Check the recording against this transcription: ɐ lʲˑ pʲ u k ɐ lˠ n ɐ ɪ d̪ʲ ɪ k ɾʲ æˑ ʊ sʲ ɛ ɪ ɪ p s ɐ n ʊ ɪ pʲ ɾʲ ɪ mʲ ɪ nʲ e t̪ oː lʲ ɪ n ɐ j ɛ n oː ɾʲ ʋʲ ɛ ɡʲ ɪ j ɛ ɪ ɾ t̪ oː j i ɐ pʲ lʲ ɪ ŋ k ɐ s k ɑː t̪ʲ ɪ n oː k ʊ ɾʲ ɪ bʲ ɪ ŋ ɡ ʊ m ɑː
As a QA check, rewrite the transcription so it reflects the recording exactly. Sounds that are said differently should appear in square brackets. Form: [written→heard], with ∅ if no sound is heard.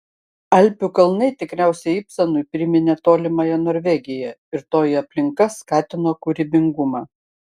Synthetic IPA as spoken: ɐ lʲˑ pʲ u k ɐ lˠ n ɐ ɪ [d̪ʲ→t̪ʲ] ɪ k ɾʲ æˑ ʊ sʲ ɛ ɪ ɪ p s ɐ n ʊ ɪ pʲ ɾʲ ɪ mʲ ɪ nʲ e t̪ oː lʲ ɪ [n→m] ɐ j ɛ n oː ɾʲ ʋʲ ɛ ɡʲ ɪ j ɛ ɪ ɾ t̪ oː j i ɐ pʲ lʲ ɪ ŋ k ɐ s k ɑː t̪ʲ ɪ n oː k ʊ ɾʲ ɪ bʲ ɪ ŋ ɡ ʊ m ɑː